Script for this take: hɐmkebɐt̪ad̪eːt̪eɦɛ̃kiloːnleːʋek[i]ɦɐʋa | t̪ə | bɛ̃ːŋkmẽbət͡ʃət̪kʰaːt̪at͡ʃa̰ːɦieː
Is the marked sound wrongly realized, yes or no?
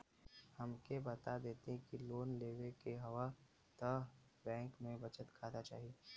yes